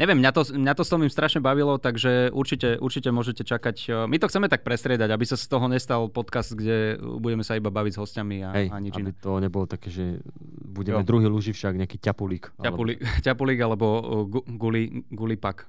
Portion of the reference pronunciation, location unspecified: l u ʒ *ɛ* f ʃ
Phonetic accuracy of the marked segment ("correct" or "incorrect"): incorrect